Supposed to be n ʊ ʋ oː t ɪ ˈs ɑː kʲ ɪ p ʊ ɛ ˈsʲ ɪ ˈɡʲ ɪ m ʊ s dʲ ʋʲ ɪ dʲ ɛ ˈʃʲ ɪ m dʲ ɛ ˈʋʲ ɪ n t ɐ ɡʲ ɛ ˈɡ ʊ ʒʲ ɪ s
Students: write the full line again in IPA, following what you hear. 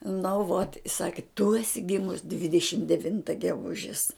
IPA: n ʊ ʋ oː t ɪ ˈs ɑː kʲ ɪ t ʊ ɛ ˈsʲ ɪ ˈɡʲ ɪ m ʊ s dʲ ʋʲ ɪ dʲ ɛ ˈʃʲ ɪ m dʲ ɛ ˈʋʲ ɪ n t ɐ ɡʲ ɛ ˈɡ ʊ ʒʲ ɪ s